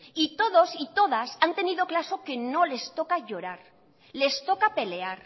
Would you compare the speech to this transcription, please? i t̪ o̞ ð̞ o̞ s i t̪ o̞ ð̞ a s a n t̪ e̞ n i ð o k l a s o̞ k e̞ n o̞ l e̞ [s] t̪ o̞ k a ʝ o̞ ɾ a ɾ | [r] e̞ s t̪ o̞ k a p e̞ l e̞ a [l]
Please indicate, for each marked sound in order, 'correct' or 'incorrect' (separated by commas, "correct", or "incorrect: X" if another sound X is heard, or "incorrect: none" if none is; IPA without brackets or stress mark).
correct, incorrect: l, incorrect: ɾ